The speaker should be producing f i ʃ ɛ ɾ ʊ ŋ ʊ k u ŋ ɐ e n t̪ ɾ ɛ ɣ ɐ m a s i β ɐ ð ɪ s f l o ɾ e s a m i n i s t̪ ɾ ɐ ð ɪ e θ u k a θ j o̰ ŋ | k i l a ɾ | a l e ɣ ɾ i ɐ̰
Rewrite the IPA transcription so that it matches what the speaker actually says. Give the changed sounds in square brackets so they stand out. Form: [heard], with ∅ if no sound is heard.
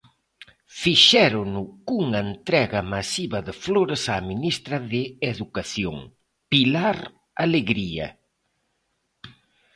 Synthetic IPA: f i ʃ ɛ ɾ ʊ [n] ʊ k u ŋ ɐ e n t̪ ɾ ɛ ɣ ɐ m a s i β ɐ ð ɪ [∅] f l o ɾ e s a m i n i s t̪ ɾ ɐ ð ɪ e [ð] u k a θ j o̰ ŋ | [p] i l a ɾ | a l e ɣ ɾ i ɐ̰